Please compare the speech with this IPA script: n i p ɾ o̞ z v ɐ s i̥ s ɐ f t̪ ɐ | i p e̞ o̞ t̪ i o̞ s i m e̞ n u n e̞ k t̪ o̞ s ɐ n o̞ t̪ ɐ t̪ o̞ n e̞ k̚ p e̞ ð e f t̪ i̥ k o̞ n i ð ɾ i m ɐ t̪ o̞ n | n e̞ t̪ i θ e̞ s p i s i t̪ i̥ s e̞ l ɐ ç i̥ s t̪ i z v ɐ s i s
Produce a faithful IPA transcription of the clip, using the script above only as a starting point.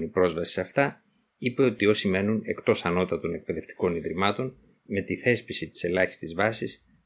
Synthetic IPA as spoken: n i p ɾ o̞ z v ɐ s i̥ s ɐ f t̪ ɐ | i p e̞ o̞ t̪ i o̞ s i m e̞ n u n e̞ k t̪ o̞ s ɐ n o̞ t̪ ɐ t̪ o̞ n e̞ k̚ p e̞ ð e f t̪ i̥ k o̞ n i ð ɾ i m ɐ t̪ o̞ n | m e̞ t̪ i θ e̞ s p i s i t̪ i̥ s e̞ l ɐ ç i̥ s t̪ i z v ɐ s i s